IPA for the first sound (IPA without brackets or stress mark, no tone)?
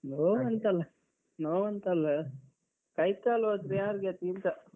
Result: n